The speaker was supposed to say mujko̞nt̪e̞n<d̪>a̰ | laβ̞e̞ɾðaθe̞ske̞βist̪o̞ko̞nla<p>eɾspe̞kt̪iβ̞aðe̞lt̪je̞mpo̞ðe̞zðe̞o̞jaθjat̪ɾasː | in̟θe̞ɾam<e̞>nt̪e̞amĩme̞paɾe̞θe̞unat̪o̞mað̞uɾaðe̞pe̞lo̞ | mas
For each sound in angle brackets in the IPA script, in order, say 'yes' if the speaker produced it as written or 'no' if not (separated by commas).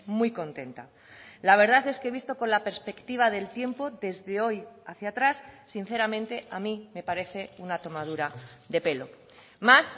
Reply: no, yes, no